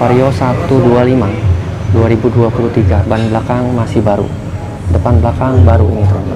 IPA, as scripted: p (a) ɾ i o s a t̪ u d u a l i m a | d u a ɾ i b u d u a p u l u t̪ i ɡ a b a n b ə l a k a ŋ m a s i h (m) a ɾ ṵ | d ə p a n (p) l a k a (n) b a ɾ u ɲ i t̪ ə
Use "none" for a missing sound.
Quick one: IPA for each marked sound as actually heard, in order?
a, b, b, ŋ

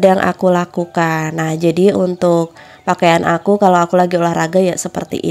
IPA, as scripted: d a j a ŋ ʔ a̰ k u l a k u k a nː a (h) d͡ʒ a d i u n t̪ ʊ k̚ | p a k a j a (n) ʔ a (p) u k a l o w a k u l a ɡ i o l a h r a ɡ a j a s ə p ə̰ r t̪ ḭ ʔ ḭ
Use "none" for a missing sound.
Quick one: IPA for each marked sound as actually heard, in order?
h, n, k

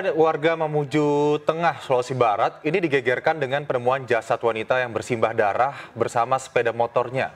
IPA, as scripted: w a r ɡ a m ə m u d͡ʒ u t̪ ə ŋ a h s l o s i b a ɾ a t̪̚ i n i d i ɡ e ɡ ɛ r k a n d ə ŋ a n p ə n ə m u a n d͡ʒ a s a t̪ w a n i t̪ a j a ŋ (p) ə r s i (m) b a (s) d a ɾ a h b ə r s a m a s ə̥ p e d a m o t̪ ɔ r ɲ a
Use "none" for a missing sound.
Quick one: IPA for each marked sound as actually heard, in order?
b, m, h

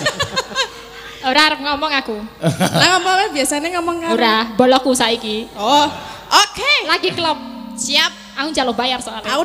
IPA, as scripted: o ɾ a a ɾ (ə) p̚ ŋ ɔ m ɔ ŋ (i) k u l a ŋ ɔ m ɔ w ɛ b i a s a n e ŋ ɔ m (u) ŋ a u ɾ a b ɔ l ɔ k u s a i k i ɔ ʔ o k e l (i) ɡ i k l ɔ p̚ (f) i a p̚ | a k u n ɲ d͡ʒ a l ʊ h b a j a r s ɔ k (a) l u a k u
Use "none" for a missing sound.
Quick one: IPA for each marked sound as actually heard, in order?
ə, a, ɔ, a, s, a

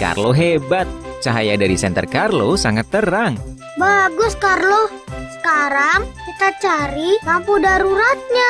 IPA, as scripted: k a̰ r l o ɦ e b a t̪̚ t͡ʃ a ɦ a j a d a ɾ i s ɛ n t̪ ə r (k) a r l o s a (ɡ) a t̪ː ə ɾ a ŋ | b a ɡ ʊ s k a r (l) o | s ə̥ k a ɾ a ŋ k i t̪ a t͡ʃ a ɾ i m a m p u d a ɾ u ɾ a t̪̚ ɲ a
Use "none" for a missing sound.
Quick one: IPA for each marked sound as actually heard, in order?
k, ŋ, l

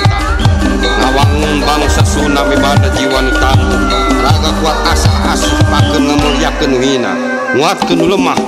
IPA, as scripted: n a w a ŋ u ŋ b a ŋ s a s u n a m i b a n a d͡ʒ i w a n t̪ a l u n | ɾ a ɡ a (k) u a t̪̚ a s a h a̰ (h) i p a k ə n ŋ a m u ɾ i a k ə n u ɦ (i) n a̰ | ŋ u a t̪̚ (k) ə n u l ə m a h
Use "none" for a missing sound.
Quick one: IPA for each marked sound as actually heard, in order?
k, s, i, k

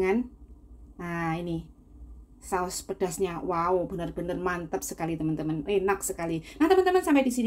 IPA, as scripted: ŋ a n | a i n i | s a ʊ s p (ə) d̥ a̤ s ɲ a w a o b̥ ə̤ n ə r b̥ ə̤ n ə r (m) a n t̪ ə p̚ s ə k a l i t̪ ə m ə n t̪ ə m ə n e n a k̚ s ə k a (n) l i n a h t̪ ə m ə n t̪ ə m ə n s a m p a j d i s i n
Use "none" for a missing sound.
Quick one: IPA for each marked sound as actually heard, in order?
ə, m, none

